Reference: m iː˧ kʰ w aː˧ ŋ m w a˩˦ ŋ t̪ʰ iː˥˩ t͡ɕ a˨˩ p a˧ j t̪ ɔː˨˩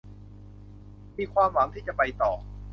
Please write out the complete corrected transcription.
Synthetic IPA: m iː˧ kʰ w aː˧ m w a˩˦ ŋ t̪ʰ iː˥˩ t͡ɕ a˨˩ p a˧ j t̪ ɔː˨˩